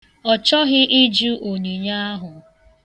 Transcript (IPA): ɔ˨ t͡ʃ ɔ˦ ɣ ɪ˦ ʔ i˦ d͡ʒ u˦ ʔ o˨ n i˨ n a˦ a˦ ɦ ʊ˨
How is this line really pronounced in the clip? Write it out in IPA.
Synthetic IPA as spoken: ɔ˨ t͡ʃ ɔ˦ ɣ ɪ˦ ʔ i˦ d͡ʒ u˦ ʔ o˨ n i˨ ɲ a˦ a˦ ɦ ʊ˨